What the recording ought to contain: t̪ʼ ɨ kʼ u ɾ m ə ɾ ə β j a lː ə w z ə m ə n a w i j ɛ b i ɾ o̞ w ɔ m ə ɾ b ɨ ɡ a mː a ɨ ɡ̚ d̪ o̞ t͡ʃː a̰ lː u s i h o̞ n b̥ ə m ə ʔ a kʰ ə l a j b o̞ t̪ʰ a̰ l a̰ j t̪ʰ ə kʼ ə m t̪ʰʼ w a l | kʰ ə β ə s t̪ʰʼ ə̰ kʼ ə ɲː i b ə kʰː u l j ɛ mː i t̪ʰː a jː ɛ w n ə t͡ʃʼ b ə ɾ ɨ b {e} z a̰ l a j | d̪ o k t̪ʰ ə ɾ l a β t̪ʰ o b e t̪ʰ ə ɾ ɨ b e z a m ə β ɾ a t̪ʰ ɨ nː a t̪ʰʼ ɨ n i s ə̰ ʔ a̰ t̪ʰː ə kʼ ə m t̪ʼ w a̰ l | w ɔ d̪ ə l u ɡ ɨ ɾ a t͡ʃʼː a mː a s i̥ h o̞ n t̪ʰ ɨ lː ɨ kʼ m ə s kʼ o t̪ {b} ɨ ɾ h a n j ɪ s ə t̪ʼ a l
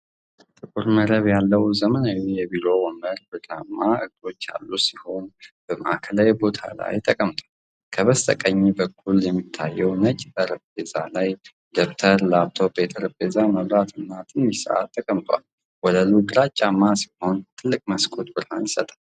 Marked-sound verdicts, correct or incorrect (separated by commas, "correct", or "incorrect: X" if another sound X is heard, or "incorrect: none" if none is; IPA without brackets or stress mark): correct, correct